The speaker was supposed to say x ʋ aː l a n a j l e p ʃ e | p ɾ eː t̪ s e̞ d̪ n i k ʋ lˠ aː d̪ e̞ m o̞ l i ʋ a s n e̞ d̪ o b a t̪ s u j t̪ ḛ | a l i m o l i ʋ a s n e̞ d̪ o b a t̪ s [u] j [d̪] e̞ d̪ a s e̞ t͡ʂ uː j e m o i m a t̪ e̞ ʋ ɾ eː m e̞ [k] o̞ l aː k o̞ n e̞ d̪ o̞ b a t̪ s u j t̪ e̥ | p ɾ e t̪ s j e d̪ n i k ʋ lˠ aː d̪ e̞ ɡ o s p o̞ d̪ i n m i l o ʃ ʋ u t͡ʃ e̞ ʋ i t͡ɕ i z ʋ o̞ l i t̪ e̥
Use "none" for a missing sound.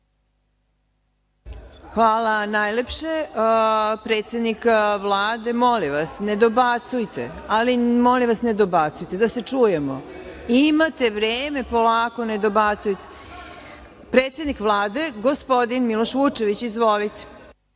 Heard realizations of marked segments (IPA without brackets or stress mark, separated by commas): u, t̪, p